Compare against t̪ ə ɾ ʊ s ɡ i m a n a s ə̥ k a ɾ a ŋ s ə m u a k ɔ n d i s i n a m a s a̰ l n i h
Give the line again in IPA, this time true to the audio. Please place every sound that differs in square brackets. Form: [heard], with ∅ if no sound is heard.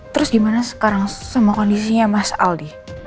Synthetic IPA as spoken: t̪ ə ɾ ʊ s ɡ i m a n a s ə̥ k a ɾ a ŋ s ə m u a k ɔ n d i s i [ɲ] a m a s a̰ l [d] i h

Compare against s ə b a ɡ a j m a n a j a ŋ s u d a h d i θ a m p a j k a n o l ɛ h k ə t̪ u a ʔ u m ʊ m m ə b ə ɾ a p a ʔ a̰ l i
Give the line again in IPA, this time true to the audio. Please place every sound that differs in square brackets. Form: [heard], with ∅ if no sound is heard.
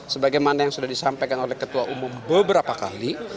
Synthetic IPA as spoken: s ə b a ɡ a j m a n a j a ŋ s u d a h d i [s] a m p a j k a n o l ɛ h k ə t̪ u a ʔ u m ʊ m [b] ə b ə ɾ a p a [k] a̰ l i

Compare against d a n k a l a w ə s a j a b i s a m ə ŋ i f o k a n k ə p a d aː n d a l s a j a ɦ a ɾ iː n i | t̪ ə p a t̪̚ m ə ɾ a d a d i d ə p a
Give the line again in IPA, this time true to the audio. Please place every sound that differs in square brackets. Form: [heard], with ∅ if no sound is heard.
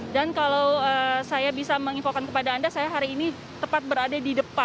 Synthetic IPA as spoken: d a n k a l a w ə s a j a b i s a m ə ŋ i f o k a n k ə p a d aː n d a [∅] s a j a ɦ a ɾ iː n i | t̪ ə p a t̪̚ [b] ə ɾ a d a d i d ə p a

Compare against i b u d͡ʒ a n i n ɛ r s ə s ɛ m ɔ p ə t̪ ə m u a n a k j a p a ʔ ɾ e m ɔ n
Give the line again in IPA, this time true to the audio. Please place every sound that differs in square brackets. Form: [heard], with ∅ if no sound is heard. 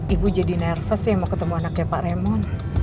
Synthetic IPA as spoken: i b u d͡ʒ a [d] i n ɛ r [f] ə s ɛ m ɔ [k] ə t̪ ə m u a n a k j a p a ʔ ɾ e m ɔ n

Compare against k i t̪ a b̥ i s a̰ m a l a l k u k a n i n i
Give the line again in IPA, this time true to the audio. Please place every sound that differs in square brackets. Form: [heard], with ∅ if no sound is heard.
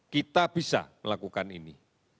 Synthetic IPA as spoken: k i t̪ a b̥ i s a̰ m [ə] l a [∅] k u k a n i n i

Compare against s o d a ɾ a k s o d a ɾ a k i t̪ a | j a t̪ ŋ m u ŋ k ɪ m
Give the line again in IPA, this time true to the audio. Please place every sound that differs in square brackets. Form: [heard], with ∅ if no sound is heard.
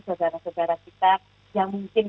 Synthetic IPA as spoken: s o d a ɾ a [∅] s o d a ɾ a k i t̪ a | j a [∅] ŋ m u ŋ k ɪ [n]

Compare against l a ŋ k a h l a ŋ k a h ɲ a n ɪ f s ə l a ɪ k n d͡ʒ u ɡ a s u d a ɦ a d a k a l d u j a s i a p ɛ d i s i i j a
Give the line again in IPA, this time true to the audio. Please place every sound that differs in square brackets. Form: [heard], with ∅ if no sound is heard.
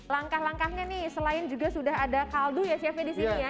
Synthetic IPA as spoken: l a ŋ k a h l a ŋ k a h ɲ a n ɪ [h] s ə l a ɪ [∅] n d͡ʒ u ɡ a s u d a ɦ a d a k a l d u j a s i a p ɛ d i s i i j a

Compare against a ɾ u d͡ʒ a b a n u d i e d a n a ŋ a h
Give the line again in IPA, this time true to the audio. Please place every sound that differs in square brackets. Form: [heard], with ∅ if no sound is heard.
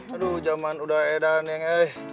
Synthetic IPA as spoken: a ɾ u d͡ʒ a [m] a n u d [a] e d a n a ŋ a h

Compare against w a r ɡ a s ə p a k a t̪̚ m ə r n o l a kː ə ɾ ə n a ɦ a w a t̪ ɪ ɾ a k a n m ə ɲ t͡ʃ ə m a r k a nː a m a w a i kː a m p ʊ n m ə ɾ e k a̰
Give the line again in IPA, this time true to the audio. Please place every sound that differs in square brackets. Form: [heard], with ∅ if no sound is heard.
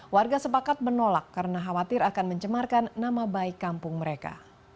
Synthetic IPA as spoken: w a r ɡ a s ə p a k a t̪̚ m ə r n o l a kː [a] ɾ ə n a ɦ a w a t̪ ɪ ɾ a k a n m ə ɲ t͡ʃ ə m a r k a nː a m a [b] a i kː a m p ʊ [ŋ] m ə ɾ e k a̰

